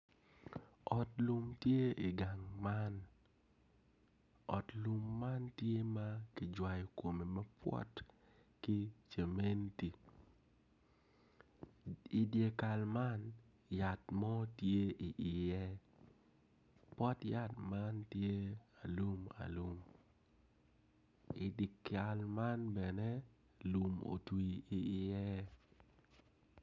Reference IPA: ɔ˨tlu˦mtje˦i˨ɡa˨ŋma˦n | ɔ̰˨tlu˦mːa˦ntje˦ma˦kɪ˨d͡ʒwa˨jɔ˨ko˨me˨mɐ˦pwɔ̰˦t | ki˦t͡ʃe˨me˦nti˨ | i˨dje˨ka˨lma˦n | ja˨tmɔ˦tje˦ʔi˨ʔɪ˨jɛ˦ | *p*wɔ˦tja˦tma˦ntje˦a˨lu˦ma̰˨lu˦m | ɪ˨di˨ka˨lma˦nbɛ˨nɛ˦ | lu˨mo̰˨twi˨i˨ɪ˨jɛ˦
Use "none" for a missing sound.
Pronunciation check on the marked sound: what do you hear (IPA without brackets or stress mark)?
p